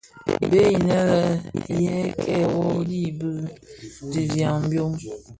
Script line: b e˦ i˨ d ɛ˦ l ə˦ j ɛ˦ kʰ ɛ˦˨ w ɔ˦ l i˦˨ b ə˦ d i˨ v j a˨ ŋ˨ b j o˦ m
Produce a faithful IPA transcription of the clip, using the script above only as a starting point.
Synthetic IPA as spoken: b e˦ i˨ n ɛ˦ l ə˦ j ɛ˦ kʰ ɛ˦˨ w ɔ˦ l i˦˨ b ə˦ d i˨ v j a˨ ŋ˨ b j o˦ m

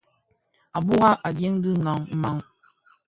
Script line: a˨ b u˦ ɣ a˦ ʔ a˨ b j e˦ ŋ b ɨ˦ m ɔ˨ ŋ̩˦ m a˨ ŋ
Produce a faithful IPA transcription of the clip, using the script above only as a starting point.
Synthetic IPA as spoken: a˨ b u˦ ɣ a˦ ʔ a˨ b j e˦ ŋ d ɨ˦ n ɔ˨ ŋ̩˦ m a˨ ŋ

